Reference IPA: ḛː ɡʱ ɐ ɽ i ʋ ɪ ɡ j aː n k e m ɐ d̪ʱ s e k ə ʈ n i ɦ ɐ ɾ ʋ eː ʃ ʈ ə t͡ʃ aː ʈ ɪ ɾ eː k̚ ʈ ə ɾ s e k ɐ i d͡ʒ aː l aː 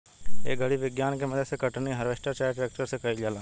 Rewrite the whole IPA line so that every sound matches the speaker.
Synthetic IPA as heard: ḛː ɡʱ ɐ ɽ i ʋ ɪ ɡ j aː n k e m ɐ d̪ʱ s e k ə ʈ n i ɦ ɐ ɾ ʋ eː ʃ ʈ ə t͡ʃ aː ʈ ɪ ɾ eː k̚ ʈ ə ɾ s e k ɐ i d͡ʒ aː l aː